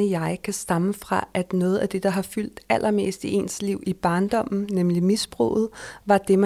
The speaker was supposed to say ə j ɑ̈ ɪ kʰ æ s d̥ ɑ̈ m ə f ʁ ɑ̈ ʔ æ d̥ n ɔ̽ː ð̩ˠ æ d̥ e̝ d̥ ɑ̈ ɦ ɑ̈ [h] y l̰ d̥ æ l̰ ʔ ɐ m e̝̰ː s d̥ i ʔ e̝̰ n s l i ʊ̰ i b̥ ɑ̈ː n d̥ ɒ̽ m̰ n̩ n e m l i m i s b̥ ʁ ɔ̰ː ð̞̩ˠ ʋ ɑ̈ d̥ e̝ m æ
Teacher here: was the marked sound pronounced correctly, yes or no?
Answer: no